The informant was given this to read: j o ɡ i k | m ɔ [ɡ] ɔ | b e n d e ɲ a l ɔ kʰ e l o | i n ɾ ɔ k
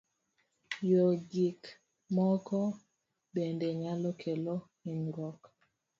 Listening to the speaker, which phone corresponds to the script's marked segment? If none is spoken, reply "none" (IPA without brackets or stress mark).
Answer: k